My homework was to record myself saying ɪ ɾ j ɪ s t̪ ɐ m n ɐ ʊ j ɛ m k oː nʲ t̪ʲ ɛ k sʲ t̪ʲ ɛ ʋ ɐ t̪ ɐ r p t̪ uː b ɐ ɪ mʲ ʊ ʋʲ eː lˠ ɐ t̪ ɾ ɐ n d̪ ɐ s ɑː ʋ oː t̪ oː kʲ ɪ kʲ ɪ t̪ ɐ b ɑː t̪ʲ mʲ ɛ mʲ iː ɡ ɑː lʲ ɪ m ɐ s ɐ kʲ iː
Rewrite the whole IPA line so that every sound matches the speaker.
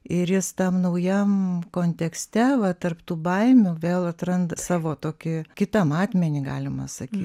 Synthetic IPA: ɪ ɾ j ɪ s t̪ ɐ m n ɐ ʊ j ɛ m k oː nʲ t̪ʲ ɛ k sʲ t̪ʲ ɛ ʋ ɐ t̪ ɐ r p t̪ uː b ɐ ɪ mʲ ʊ ʋʲ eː lˠ ɐ t̪ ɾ ɐ n d̪ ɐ s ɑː ʋ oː t̪ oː kʲ ɪ kʲ ɪ t̪ ɐ m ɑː t̪ʲ mʲ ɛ nʲ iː ɡ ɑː lʲ ɪ m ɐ s ɐ kʲ iː